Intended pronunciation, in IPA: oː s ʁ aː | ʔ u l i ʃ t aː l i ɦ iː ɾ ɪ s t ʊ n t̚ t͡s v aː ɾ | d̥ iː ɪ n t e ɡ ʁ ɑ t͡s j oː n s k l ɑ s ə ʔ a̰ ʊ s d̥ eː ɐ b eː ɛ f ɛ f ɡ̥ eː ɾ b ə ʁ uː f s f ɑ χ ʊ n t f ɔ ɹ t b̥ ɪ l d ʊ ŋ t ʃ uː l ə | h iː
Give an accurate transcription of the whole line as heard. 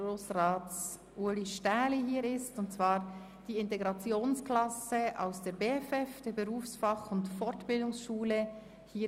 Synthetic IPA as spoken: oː s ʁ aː | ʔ u l i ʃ t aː l i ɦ iː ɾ ɪ s t ʊ n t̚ t͡s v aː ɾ | d̥ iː ɪ n t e ɡ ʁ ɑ t͡s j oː n s k l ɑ s ə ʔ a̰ ʊ s d̥ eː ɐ b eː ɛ f ɛ f d̥ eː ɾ b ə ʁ uː f s f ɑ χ ʊ n t f ɔ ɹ t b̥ ɪ l d ʊ ŋ s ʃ uː l ə | h iː